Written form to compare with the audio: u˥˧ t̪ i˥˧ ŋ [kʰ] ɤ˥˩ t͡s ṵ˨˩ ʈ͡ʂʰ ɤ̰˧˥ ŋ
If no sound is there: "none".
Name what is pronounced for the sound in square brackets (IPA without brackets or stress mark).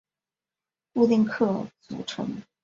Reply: kʰ